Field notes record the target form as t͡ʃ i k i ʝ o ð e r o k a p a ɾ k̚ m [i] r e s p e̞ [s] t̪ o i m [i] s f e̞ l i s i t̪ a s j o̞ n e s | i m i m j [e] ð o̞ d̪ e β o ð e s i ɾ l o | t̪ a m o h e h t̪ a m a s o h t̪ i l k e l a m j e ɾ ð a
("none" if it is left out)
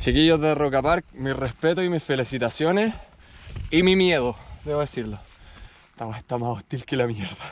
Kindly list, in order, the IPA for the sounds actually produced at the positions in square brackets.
i, none, i, e

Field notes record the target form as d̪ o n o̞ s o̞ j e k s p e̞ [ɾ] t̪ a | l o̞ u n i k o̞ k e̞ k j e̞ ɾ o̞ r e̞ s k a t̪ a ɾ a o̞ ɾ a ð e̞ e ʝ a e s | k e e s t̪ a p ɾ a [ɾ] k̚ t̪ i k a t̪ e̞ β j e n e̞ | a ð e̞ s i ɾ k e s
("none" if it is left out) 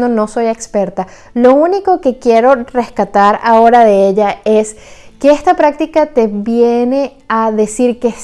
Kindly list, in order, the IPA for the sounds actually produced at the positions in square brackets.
ɾ, none

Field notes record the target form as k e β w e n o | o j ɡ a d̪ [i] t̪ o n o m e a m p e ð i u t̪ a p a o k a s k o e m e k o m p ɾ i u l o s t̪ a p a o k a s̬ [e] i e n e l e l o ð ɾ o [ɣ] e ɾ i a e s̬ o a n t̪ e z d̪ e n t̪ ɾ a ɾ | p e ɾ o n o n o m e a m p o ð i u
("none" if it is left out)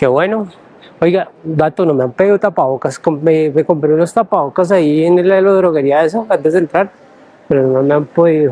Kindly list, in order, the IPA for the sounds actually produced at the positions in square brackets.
a, a, ɣ

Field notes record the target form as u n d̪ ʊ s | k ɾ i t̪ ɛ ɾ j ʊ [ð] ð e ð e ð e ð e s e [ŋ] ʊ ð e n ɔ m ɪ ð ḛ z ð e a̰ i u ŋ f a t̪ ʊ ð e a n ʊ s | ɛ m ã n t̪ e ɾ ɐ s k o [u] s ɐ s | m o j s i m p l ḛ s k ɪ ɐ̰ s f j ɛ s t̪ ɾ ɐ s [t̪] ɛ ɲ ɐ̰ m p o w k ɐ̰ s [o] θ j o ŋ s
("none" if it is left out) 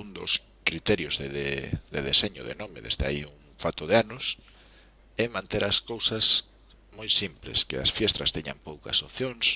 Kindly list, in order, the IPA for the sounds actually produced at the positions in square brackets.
z, ɲ, w, t̪, o

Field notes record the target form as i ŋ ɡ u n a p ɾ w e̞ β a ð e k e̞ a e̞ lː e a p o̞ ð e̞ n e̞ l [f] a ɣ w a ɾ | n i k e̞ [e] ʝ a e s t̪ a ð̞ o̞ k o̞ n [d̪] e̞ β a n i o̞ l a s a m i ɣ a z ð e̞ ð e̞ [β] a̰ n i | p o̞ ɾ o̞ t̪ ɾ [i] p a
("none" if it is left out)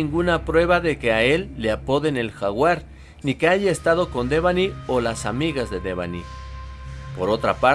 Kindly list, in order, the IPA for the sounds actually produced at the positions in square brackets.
x, a, d̪, β, a

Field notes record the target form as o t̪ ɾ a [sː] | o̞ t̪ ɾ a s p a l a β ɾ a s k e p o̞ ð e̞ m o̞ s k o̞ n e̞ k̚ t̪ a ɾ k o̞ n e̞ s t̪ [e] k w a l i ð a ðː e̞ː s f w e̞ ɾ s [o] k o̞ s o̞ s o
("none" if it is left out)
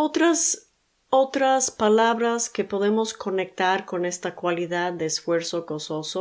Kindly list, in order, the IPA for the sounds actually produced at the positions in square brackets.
s, a, o

